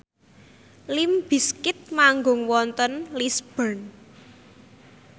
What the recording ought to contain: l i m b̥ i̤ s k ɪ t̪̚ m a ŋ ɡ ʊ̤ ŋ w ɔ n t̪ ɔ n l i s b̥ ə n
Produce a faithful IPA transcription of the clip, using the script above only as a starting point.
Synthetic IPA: l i m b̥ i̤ s k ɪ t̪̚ m a ŋ ɡ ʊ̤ ŋ w ɔ n t̪ ɔ n l i s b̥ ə n